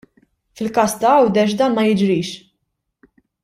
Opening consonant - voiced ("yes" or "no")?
no